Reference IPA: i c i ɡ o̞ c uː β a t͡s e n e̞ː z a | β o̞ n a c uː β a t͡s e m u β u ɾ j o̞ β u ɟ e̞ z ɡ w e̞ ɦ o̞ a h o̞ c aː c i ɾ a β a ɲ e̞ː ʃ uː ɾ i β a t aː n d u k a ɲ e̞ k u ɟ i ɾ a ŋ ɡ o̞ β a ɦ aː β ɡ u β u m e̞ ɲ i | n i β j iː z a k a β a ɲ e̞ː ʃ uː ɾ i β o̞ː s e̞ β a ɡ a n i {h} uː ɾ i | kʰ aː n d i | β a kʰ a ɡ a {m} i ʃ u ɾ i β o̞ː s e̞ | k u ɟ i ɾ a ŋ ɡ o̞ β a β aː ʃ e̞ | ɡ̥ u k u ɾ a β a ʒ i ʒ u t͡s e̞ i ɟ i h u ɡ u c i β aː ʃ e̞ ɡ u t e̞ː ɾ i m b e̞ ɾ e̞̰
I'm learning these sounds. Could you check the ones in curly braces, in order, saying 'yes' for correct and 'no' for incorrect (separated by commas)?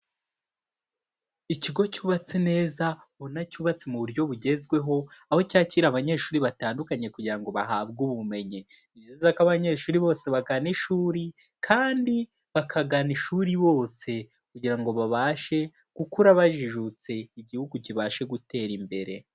no, no